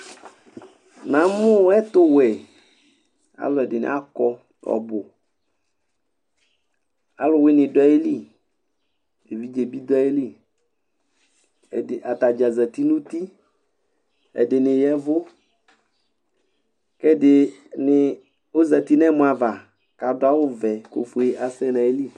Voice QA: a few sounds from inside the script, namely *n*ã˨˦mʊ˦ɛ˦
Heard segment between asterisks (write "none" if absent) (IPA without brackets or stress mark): n